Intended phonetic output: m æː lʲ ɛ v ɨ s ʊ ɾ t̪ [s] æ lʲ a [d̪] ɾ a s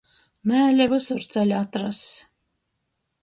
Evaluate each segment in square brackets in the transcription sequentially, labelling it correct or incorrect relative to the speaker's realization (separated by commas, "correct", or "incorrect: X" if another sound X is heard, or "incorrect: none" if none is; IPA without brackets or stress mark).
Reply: correct, incorrect: t̪